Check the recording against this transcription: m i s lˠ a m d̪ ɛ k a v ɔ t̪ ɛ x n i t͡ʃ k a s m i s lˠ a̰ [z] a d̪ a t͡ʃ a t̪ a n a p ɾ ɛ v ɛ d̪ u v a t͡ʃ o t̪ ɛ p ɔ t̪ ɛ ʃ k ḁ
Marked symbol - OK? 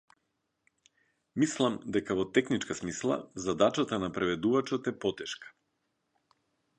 yes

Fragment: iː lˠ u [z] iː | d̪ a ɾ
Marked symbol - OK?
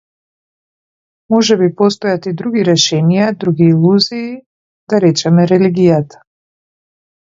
yes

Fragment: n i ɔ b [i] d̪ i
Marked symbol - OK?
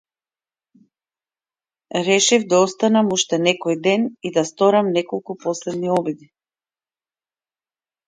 yes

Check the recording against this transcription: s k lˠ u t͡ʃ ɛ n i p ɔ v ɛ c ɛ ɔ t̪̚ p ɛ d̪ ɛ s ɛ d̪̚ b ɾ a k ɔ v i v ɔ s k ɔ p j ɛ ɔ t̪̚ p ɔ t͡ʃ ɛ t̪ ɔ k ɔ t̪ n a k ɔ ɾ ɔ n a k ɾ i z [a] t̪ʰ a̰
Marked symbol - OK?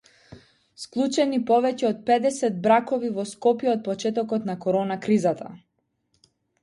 yes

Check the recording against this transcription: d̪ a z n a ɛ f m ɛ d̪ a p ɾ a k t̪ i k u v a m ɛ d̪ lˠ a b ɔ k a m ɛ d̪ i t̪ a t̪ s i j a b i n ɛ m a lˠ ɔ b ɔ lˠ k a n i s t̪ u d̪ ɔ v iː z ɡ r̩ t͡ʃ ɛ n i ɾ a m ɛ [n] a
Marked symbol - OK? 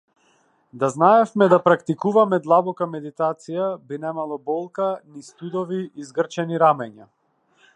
no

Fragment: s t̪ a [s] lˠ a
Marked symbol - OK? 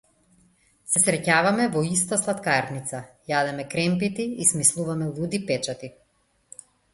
yes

